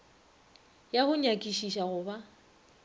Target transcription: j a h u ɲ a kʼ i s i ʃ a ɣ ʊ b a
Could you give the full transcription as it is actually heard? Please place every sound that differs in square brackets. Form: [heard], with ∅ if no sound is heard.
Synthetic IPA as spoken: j a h [ʊ] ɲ a kʼ i [ʃ] i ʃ a ɣ ʊ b a

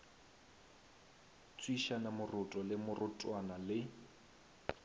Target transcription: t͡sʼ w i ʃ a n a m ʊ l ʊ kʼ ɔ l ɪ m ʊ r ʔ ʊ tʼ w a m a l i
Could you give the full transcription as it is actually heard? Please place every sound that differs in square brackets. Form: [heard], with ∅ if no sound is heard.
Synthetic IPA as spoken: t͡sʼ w i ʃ a n a m ʊ [r] ʊ [tʼ] ɔ l ɪ m ʊ r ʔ ʊ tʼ w a [n] a l [ɪ]

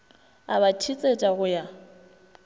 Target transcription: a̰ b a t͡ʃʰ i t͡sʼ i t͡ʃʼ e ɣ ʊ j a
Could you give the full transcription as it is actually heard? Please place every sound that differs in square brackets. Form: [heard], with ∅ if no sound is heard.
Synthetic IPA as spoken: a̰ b a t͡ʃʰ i t͡sʼ [e] t͡ʃʼ [a] ɣ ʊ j a

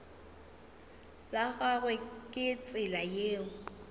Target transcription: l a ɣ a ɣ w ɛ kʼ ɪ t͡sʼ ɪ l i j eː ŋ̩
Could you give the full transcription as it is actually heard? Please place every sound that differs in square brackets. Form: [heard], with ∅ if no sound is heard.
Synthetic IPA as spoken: l a ɣ a ɣ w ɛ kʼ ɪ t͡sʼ ɪ l [a] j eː ŋ̩

